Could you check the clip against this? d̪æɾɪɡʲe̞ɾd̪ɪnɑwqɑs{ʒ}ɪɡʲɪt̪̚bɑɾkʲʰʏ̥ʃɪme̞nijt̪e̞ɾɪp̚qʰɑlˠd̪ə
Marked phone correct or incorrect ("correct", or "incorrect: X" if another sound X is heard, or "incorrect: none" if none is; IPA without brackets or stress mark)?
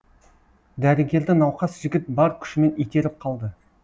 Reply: correct